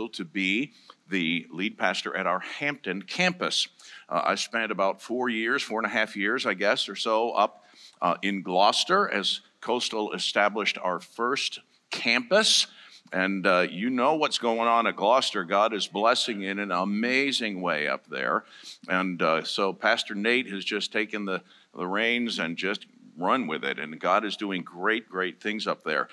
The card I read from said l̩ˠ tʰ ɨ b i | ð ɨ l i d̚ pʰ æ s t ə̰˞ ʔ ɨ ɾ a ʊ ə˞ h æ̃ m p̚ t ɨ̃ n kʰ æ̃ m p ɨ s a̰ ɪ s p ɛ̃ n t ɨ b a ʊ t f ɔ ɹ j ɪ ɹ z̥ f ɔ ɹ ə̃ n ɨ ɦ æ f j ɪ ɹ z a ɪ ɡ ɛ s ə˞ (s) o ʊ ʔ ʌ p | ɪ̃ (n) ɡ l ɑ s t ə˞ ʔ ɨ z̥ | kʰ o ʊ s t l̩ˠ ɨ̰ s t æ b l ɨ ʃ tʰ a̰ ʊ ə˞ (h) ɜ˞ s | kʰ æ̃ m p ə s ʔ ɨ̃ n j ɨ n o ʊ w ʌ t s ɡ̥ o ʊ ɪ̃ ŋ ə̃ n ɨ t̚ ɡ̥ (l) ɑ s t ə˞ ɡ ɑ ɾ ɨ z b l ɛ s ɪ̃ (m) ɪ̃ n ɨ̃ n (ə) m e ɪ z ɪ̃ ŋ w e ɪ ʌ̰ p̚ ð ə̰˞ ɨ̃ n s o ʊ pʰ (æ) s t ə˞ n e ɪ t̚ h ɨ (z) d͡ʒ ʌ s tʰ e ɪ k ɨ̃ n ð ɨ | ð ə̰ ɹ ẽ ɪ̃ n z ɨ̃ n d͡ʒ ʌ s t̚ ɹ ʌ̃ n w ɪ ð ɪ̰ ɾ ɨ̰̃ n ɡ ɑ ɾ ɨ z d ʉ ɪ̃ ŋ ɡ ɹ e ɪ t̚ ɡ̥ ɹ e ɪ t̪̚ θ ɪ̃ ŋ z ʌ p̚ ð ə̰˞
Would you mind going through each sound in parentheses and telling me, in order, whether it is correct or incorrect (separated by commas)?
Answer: correct, correct, incorrect, correct, incorrect, correct, correct, correct